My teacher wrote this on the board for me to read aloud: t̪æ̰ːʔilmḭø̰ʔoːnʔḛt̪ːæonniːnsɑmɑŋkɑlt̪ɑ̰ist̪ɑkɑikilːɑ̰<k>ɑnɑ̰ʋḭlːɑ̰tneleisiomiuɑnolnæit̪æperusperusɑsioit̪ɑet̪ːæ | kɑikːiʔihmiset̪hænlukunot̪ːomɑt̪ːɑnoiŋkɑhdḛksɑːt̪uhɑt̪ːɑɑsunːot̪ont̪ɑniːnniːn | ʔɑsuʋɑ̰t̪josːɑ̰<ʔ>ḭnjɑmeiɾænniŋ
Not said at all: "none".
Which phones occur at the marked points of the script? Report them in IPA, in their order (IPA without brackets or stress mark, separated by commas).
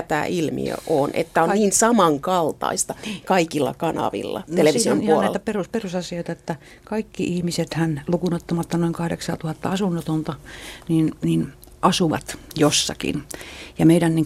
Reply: k, k